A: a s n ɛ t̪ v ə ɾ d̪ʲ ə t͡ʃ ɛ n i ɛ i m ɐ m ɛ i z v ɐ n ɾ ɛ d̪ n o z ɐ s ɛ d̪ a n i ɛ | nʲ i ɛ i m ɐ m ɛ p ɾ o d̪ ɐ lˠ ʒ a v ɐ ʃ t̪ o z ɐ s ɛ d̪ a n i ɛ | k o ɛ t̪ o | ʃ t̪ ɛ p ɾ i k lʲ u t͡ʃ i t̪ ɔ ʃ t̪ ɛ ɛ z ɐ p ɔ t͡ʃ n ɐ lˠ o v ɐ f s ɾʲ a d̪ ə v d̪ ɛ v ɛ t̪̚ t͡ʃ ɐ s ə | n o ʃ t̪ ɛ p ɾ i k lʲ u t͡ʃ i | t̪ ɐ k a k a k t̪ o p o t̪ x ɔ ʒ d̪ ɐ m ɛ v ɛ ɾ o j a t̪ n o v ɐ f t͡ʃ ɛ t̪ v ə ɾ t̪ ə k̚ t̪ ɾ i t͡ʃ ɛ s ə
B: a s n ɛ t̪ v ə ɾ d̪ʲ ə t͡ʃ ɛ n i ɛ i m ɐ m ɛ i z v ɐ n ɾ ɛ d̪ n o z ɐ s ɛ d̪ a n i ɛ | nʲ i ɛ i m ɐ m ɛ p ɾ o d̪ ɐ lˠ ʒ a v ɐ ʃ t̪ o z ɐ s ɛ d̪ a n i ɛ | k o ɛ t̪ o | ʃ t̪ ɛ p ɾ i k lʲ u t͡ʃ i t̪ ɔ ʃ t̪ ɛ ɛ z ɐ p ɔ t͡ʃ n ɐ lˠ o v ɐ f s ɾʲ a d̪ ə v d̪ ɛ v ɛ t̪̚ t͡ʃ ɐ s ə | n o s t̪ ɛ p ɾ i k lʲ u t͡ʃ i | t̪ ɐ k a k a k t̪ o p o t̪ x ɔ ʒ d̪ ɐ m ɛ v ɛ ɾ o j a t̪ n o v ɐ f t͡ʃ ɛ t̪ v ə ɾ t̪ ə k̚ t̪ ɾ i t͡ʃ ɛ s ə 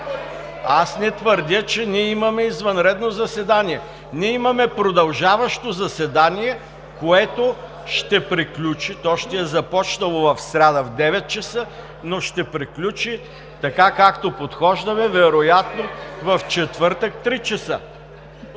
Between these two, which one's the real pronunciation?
A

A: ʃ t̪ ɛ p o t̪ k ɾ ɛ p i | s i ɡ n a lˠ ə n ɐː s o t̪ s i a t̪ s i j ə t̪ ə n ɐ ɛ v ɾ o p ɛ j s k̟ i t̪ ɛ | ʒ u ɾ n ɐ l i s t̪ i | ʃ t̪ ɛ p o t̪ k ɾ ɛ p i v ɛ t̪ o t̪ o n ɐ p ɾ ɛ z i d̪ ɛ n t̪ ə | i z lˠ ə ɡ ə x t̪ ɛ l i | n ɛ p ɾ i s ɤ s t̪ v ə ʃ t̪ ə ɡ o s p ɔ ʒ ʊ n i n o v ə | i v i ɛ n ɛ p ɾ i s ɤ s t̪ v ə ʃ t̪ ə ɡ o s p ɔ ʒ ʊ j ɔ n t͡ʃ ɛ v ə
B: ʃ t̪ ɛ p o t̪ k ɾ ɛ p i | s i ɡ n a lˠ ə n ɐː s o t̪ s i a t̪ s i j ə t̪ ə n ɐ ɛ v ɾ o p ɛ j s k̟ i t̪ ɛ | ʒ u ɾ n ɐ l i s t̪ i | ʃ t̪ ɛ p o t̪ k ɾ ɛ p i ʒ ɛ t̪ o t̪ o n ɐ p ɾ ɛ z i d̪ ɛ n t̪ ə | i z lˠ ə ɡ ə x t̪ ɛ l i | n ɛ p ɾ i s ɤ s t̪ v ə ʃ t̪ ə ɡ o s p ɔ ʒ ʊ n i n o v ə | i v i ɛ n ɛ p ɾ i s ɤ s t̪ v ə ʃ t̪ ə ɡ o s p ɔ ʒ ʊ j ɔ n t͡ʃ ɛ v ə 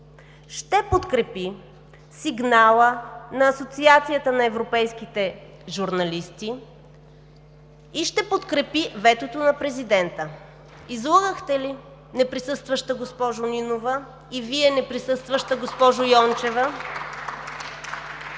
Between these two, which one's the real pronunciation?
A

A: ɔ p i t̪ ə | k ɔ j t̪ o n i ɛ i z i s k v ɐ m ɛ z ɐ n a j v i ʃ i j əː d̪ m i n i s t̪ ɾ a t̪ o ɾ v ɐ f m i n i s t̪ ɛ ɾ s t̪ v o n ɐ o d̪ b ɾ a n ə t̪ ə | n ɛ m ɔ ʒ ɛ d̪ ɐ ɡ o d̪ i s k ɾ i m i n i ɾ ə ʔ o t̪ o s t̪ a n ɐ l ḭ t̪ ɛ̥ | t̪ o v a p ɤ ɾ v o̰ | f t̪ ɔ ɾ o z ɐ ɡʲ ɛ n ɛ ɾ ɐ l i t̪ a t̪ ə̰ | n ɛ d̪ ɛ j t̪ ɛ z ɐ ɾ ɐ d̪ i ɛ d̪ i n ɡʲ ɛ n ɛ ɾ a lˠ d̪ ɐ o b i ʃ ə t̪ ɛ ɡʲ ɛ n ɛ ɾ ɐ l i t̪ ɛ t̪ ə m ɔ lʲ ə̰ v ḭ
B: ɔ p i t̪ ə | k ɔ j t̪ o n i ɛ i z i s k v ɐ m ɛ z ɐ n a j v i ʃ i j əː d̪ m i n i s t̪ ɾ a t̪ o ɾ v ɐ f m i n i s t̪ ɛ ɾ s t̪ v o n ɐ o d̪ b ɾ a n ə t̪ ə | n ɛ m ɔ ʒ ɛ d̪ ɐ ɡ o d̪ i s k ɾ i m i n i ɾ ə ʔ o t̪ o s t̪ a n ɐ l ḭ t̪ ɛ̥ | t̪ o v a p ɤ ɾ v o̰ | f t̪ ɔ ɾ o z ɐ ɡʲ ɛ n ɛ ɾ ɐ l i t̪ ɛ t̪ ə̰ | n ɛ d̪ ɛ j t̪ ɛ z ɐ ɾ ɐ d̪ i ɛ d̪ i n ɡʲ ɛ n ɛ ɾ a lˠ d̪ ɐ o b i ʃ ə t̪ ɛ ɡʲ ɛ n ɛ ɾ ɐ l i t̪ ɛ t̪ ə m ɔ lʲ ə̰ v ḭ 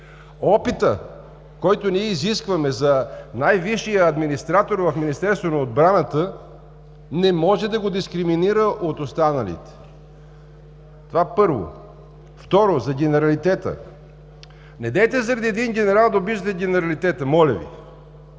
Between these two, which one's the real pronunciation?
B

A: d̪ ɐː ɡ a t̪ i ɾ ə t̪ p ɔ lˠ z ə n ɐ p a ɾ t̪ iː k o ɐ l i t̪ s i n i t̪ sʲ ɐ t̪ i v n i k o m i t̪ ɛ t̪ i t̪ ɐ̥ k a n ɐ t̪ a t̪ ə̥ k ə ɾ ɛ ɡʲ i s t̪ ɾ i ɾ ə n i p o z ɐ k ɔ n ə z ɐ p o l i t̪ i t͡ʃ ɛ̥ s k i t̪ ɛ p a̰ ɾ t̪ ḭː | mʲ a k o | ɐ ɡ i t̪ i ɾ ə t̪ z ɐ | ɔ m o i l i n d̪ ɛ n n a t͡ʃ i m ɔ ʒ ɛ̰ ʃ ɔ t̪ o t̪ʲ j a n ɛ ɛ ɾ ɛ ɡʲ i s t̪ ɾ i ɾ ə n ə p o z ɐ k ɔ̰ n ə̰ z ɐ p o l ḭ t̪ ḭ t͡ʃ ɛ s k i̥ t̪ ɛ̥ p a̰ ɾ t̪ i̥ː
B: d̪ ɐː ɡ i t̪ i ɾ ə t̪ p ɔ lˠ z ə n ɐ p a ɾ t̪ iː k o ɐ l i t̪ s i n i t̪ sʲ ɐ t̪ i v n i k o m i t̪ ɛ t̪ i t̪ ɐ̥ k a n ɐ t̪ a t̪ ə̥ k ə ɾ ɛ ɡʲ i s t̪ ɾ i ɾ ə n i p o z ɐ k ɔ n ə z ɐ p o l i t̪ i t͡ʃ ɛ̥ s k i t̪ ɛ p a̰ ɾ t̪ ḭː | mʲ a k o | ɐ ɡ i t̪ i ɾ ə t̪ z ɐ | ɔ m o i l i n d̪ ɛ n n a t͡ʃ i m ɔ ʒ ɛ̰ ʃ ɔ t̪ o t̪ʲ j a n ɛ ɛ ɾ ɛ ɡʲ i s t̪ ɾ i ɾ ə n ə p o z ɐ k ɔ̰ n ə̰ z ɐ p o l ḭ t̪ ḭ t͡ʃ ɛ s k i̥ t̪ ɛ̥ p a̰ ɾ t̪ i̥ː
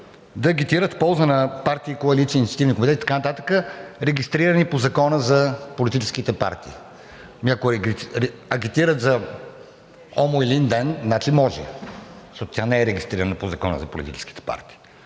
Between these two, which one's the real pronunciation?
B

